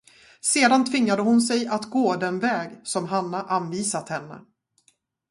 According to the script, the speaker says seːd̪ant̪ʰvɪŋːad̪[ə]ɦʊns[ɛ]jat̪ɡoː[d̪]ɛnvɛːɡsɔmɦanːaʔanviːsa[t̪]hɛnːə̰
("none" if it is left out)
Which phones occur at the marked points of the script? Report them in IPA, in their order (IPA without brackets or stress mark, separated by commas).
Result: ə, ɛ, d̪, t̪